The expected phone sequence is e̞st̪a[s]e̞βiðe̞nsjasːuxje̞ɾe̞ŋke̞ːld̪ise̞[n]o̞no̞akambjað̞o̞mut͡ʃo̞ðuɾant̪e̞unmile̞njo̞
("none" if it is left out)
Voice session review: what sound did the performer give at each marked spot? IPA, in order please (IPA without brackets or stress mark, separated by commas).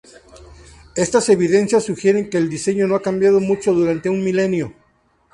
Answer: s, ɲ